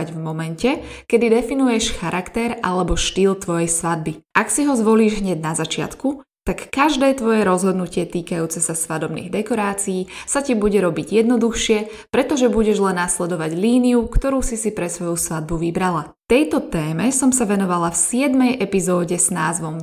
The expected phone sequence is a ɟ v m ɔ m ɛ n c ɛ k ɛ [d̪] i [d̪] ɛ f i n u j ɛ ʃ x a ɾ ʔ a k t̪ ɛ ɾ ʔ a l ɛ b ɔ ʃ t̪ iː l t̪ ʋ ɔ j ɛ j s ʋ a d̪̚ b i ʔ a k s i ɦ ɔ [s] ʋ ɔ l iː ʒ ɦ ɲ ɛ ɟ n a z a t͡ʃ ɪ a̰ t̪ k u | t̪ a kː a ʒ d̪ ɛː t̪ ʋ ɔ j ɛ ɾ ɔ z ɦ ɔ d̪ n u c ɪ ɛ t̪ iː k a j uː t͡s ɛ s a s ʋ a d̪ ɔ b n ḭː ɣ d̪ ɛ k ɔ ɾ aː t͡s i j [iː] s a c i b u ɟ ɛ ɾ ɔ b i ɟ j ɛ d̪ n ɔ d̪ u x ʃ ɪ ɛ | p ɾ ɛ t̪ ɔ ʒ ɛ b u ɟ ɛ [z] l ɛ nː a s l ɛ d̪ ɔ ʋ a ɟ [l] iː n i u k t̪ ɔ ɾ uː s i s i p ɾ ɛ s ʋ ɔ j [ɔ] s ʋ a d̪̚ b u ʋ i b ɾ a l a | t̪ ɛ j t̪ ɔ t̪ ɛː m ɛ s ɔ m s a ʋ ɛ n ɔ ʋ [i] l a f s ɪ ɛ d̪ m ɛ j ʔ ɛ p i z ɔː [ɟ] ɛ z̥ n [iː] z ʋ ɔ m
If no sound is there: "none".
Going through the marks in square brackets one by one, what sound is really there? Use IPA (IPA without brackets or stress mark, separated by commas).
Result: d̪, d̪, z, iː, ʒ, l, u, a, ɟ, aː